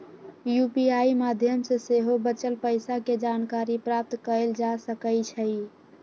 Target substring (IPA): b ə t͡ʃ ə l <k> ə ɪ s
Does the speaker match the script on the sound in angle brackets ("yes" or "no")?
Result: no